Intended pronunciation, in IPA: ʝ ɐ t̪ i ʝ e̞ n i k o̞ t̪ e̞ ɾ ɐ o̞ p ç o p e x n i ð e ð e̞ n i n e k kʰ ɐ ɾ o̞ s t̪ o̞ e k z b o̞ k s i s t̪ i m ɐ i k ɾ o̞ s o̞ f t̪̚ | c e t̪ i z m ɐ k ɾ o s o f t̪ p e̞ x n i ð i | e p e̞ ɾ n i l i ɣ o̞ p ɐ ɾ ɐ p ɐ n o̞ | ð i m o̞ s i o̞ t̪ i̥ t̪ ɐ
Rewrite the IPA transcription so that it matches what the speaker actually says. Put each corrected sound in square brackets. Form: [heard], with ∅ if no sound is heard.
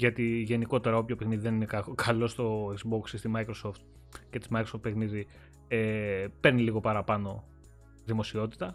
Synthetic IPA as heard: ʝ ɐ t̪ i ʝ e̞ n i k o̞ t̪ e̞ ɾ ɐ o̞ p ç o p e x n i ð [i] ð e̞ n i n e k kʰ ɐ [l] o̞ s t̪ o̞ e k z b o̞ k s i s t̪ i m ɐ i k ɾ o̞ s o̞ f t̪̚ | c e t̪ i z m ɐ k ɾ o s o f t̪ p e̞ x n i ð i | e p e̞ ɾ n i l i ɣ o̞ p ɐ ɾ ɐ p ɐ n o̞ | ð i m o̞ s i o̞ t̪ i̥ t̪ ɐ